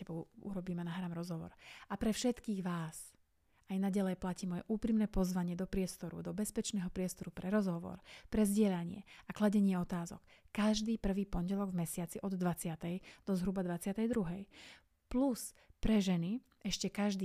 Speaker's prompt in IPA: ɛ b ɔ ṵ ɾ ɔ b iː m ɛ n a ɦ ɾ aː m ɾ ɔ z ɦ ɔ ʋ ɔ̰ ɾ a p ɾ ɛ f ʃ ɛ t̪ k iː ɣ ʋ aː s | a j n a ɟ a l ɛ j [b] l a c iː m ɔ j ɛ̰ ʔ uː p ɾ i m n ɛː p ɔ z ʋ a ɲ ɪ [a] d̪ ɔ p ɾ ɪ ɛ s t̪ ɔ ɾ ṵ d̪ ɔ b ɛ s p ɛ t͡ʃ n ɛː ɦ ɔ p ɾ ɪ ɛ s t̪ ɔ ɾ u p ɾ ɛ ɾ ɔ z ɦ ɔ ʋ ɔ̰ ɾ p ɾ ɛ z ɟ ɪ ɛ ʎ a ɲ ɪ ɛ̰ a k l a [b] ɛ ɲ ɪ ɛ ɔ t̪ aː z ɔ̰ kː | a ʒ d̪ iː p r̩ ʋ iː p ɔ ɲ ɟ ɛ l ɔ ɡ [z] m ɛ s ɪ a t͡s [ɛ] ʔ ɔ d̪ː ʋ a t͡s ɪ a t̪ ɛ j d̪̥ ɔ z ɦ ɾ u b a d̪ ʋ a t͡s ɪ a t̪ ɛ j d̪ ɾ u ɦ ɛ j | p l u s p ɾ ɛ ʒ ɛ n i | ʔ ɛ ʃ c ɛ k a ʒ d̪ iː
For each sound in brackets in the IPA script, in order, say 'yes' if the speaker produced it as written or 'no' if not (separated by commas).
no, no, no, no, no